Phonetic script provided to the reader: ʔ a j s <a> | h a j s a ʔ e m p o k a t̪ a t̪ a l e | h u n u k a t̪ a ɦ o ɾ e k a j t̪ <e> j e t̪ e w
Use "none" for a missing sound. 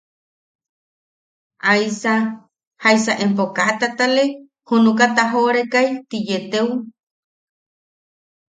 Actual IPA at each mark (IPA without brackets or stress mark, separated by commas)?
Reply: a, i